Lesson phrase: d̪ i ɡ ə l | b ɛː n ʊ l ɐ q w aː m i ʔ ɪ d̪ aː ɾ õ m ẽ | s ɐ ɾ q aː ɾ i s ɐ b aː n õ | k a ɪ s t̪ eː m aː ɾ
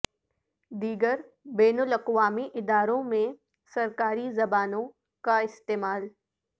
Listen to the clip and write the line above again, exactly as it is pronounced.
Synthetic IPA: d̪ iː ɡ ə ɾ | b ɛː n ʊ l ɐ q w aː m i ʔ ɪ d̪ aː ɾ õ m ẽ | s ɐ ɾ k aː ɾ i z ɐ b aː n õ | k a ɪ s t̪ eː m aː l